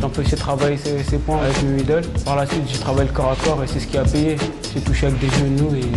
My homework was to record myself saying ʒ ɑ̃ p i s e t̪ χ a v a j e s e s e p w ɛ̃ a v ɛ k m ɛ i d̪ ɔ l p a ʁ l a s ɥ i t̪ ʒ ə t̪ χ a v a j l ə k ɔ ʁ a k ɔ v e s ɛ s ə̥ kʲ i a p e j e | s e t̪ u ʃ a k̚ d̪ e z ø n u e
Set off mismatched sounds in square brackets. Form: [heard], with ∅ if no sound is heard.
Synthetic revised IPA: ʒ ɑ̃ p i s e t̪ χ a v a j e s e s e p w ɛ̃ a v ɛ k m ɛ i d̪ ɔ l p a ʁ l a s ɥ i t̪ ʒ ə t̪ χ a v a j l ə k ɔ ʁ a k ɔ [ʁ] e s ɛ s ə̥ kʲ i a p e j e | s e t̪ u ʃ a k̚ d̪ e [ʒ] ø n u e